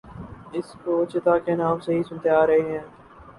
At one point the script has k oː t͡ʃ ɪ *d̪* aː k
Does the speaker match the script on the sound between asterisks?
no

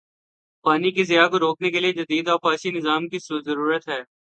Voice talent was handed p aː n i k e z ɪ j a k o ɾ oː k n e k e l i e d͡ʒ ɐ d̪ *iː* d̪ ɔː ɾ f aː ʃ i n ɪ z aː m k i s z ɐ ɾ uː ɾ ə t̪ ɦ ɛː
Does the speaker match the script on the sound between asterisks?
yes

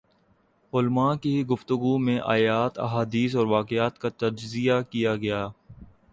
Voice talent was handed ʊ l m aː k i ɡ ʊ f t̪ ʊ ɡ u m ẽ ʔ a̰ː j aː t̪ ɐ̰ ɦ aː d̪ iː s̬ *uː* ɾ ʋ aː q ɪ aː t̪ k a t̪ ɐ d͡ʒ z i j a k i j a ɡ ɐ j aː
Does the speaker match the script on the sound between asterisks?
no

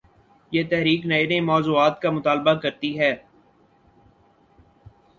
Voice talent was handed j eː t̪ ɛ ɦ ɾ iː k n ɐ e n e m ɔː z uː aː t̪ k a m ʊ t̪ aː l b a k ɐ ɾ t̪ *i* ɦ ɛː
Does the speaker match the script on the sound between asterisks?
yes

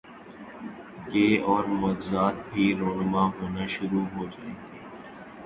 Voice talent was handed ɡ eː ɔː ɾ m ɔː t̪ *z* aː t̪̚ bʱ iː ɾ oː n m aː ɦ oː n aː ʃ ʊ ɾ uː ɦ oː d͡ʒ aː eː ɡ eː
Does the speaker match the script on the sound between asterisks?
yes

